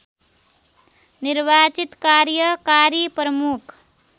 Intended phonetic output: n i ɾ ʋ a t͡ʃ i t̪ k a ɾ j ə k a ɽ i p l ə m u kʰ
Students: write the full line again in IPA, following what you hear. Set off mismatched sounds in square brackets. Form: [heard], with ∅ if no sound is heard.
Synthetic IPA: n i ɾ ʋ a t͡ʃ i t̪ k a ɾ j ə k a [ɾ] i p [ɾ] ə m u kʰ

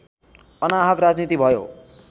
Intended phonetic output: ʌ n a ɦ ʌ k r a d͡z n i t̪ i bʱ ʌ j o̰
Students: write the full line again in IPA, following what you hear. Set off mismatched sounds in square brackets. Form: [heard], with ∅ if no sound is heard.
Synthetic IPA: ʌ n a ɦ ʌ k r a d͡z n i t̪ i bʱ ʌ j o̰

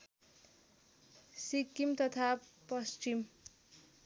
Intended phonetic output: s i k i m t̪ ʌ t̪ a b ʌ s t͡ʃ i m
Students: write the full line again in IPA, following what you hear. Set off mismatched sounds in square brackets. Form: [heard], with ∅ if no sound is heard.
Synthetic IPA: s i k i m t̪ ʌ [t̪ʰ] a [p] ʌ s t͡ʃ i m

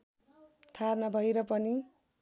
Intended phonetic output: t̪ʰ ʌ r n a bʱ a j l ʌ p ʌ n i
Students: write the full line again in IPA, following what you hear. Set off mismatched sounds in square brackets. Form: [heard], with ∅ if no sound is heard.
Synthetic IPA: t̪ʰ [a] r n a bʱ [ʌ] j [ɾ] ʌ p ʌ n i

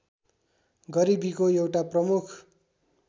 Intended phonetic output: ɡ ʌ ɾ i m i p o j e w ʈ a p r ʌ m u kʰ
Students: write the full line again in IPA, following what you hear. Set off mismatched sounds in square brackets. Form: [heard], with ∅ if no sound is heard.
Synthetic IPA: ɡ ʌ ɾ i [b] i [k] o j e w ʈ a p r ʌ m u kʰ

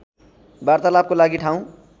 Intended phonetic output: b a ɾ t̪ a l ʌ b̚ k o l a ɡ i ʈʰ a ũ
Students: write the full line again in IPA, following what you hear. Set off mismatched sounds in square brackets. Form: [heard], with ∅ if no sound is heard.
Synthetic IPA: b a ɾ t̪ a l [a] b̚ k o l a ɡ i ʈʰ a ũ

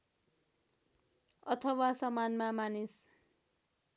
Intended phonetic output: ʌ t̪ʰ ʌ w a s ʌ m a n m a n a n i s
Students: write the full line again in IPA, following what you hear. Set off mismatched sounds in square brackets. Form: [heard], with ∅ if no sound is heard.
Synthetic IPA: ʌ t̪ʰ ʌ w a s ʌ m a n m a [m] a n i s

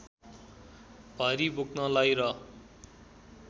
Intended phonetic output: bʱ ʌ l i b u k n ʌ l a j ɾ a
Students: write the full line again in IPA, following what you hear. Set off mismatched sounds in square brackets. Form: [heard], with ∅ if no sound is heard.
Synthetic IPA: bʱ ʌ [ɾ] i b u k n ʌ l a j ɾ [ʌ]

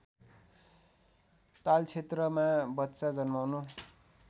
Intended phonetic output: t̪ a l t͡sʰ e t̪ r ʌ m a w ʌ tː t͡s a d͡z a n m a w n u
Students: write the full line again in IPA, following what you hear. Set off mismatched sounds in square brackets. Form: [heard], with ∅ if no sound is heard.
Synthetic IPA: t̪ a l t͡sʰ e t̪ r ʌ m a [b] ʌ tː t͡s a d͡z [ʌ] n m a w n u

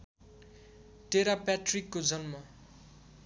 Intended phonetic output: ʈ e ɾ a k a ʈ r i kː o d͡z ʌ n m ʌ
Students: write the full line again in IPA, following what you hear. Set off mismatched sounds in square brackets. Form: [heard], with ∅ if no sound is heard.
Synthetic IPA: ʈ e ɾ a [p] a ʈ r i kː o d͡z ʌ n m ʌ

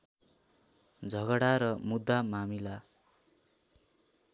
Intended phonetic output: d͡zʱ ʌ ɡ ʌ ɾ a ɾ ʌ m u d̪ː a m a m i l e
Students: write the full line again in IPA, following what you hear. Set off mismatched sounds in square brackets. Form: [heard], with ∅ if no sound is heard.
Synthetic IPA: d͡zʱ ʌ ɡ ʌ [ɽ] a ɾ ʌ m u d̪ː a m a m i l [a]

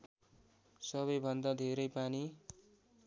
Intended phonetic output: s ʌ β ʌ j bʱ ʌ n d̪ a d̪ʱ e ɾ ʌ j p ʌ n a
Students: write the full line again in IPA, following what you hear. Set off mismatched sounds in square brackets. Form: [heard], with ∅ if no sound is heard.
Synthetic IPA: s ʌ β ʌ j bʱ ʌ n d̪ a d̪ʱ e ɾ ʌ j p [a] n [i]

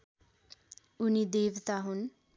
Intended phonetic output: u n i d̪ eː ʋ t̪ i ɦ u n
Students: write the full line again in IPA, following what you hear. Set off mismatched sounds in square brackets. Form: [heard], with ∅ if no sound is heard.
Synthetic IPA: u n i d̪ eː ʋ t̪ [a] ɦ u n

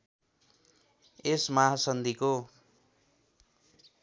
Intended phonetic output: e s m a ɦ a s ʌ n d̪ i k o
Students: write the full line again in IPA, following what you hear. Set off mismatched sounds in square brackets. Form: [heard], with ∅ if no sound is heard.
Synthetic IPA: e s m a ɦ a s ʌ n d̪ i k o

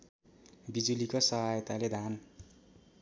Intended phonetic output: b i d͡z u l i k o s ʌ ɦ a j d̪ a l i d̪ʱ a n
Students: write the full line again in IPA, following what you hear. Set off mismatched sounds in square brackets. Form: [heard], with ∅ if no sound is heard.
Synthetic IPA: b i d͡z u l i k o s ʌ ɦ a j [t̪] a l [e] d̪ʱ a n

